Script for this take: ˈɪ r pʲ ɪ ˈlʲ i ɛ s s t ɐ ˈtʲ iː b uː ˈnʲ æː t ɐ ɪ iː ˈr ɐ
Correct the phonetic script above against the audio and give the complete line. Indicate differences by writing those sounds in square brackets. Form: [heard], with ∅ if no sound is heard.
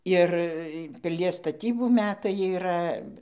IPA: ˈɪ r pʲ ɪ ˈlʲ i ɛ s s t ɐ ˈtʲ iː b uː [ˈmʲ] æː t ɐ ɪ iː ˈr ɐ